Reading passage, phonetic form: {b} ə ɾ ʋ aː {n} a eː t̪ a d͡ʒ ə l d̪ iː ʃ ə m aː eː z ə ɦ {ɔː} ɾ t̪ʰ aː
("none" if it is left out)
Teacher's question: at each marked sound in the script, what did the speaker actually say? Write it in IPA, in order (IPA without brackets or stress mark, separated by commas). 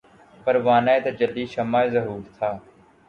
p, n, uː